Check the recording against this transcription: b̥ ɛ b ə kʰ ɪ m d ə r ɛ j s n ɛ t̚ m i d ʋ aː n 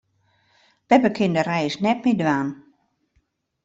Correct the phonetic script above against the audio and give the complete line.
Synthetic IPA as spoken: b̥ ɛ b ə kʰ ɪ n d ə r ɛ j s n ɛ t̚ m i d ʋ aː n